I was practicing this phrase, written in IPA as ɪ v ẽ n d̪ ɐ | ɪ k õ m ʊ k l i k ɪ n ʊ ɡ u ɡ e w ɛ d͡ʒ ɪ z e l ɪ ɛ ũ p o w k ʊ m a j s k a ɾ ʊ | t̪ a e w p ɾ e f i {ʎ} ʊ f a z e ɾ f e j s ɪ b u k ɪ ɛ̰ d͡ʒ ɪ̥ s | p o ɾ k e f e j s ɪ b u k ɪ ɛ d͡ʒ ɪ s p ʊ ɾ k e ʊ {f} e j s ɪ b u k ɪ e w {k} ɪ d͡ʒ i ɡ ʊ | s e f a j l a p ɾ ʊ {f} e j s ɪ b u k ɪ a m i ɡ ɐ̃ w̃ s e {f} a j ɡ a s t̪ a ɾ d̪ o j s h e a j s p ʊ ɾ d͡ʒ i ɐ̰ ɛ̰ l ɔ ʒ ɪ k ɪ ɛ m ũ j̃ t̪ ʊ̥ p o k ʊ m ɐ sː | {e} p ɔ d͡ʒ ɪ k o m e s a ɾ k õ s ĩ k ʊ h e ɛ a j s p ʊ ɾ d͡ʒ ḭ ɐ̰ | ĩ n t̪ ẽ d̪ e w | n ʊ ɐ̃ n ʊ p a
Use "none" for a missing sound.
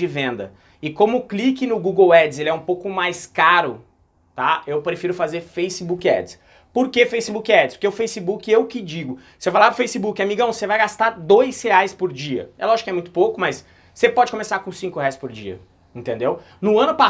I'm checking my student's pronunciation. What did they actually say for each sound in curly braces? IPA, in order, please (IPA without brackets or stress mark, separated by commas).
ɾ, f, k, f, v, e